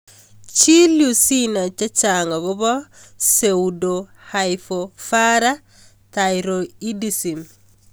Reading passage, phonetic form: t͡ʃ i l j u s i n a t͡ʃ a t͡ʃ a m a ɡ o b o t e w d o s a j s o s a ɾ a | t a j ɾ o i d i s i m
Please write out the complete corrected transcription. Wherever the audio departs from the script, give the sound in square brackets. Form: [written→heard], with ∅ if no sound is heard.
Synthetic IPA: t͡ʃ i l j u s i n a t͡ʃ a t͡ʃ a [m→ŋ] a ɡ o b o [t→s] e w d o [s→h] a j [s→f] o [s→f] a ɾ a | t a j ɾ o i d i s i m